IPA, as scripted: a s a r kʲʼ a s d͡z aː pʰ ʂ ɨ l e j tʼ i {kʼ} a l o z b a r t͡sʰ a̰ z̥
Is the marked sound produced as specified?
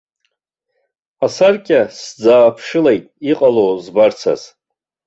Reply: no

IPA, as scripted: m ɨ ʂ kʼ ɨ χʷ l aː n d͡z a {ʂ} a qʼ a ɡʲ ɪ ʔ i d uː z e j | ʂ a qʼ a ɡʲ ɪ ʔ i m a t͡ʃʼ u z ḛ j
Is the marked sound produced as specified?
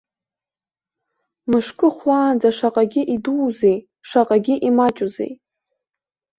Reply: yes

